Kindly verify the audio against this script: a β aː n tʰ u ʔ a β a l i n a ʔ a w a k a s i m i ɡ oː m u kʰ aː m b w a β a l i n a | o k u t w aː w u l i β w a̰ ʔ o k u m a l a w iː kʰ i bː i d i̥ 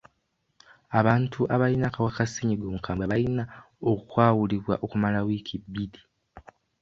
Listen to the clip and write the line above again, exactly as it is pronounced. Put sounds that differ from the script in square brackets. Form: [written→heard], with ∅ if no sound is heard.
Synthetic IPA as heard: a β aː n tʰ u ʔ a β a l i n a [ʔ→k] a w a k a s i [m→ɲ] i ɡ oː m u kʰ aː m b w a β a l i n a | o k u [t→k] w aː w u l i β w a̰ ʔ o k u m a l a w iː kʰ i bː i d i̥